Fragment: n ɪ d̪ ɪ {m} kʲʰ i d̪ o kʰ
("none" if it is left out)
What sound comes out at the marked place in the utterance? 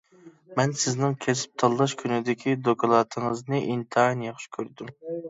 none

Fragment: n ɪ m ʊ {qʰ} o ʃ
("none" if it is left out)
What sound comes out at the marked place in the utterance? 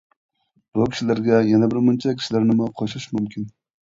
qʰ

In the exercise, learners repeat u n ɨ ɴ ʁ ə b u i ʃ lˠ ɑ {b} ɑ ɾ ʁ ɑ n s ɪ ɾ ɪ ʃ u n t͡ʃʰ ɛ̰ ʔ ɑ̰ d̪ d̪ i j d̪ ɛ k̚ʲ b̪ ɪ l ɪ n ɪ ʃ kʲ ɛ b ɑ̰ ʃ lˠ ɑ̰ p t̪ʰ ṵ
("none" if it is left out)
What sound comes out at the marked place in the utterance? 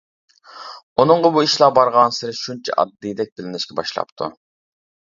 b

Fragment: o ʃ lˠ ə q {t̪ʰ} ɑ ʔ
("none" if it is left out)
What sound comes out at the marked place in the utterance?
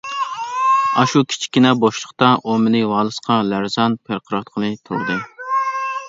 t̪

